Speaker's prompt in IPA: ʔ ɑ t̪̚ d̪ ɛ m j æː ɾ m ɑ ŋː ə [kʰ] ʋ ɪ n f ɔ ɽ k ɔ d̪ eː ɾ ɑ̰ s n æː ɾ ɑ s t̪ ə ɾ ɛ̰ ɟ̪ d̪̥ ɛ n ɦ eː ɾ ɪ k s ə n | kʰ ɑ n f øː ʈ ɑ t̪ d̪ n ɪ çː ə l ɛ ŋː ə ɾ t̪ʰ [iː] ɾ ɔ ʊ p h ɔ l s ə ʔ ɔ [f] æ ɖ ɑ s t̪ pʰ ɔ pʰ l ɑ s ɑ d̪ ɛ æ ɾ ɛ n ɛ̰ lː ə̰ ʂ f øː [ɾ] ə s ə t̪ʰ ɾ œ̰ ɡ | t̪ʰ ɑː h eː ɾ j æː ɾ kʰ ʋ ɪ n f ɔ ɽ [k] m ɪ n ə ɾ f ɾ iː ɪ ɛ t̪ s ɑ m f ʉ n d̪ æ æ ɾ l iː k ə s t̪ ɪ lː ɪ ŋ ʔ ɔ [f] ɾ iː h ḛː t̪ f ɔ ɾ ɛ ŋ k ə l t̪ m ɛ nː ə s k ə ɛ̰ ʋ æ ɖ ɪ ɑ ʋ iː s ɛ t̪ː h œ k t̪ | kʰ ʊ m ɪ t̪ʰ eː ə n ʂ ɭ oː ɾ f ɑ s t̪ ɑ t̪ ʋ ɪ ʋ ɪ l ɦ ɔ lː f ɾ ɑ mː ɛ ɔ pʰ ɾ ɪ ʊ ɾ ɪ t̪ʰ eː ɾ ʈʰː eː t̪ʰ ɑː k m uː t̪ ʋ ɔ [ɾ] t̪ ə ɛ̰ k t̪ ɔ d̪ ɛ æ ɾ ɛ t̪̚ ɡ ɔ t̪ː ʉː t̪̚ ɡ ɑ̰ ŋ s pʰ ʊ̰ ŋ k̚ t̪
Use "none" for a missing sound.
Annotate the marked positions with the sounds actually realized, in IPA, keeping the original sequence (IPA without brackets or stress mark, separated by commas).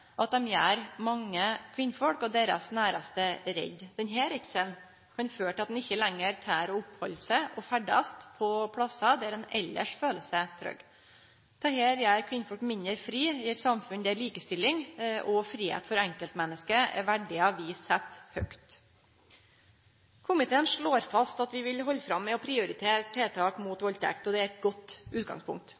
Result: kʰ, æː, f, l, k, f, l